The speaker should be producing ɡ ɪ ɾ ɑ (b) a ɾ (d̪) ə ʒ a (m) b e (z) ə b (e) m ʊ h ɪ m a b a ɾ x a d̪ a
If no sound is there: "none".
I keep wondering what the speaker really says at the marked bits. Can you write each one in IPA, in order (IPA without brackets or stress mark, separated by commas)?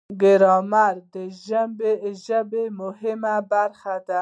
m, d̪, m, ʒ, e